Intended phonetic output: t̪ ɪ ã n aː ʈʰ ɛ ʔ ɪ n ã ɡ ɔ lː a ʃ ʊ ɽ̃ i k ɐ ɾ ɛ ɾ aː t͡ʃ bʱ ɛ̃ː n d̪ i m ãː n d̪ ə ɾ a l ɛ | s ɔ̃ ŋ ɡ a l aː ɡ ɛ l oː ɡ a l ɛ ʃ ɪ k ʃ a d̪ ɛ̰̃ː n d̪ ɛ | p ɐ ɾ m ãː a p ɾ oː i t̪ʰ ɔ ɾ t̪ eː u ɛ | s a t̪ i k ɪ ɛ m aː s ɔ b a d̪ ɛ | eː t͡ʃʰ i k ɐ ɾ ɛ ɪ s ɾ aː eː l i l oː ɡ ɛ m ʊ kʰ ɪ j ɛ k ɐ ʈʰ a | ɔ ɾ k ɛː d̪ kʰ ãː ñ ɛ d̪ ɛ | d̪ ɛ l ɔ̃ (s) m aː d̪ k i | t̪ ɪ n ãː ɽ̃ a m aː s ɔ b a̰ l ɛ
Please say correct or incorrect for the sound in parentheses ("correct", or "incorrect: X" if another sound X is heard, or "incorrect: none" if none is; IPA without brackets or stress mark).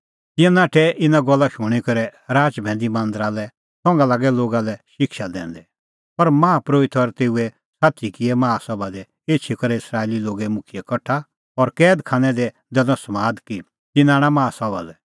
correct